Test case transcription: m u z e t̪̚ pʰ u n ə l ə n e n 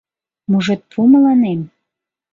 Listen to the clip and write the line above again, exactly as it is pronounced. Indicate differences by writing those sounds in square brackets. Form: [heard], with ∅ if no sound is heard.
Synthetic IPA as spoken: m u [ʒ] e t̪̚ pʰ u [m] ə l [ɑ] n e [m]